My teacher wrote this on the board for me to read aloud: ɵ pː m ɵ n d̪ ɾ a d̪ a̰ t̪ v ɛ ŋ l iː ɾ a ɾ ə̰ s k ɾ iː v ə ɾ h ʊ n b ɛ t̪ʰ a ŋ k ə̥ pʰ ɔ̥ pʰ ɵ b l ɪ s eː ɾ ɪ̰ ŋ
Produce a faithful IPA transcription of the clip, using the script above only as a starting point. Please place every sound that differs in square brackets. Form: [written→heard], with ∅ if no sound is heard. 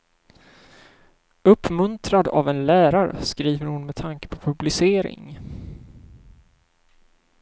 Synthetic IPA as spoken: ɵ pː m ɵ n [d̪→t̪] ɾ a d̪ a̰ [t̪→∅] v ɛ [ŋ→n] l [iː→æː] ɾ a ɾ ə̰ s k ɾ iː v ə ɾ h ʊ n [b→m] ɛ t̪ʰ a ŋ k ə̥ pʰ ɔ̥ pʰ ɵ b l ɪ s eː ɾ ɪ̰ ŋ